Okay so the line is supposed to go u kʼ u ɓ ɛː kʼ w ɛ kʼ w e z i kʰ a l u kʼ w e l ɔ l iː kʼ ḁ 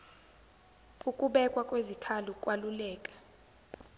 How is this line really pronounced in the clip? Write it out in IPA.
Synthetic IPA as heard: u kʼ u ɓ ɛ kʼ w a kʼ w e z i kʰ a l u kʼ w a l u l ɛː kʼ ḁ